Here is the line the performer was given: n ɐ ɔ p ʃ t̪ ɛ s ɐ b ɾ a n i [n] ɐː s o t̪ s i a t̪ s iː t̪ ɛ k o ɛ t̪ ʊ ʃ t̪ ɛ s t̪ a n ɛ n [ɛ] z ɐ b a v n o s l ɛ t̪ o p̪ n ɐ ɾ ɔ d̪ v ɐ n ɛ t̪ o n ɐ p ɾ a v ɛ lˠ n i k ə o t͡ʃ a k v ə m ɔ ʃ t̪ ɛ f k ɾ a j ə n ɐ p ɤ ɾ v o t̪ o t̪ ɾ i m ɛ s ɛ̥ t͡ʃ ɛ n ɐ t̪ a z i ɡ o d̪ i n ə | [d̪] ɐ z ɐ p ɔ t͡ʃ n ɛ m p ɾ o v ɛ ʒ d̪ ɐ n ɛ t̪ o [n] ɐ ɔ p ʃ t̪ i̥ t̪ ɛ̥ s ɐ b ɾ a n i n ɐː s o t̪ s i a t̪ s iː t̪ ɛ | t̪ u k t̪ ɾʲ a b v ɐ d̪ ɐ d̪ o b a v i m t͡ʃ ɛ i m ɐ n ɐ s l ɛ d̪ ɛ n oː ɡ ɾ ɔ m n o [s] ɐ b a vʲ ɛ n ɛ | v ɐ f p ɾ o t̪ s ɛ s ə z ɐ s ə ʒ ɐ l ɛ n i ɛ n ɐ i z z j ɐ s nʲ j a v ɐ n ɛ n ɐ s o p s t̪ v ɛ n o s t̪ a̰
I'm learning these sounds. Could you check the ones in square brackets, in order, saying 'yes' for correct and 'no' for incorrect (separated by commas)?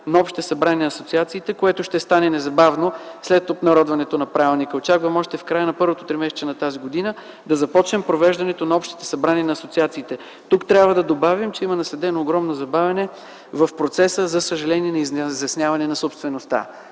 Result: yes, yes, yes, yes, no